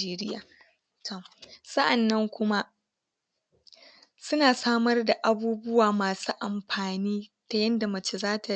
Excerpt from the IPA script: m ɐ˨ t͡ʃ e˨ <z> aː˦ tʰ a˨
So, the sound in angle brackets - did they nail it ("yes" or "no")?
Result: yes